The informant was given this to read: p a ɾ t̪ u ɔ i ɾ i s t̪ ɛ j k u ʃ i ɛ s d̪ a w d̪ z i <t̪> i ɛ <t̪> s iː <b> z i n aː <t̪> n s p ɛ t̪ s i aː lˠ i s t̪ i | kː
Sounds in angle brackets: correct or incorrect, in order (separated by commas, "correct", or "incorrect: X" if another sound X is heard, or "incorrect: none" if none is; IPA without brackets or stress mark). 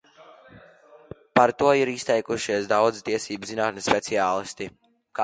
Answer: correct, incorrect: none, correct, correct